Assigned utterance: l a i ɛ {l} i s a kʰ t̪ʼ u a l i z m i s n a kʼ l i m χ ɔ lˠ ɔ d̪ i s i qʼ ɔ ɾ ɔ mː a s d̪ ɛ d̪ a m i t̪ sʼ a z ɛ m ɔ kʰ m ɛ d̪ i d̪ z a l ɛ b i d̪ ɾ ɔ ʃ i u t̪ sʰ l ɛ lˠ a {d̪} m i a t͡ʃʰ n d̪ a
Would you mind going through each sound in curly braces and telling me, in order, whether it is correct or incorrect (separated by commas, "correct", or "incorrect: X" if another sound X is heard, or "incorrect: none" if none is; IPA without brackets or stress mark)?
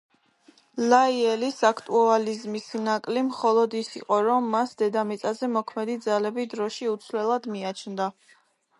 correct, correct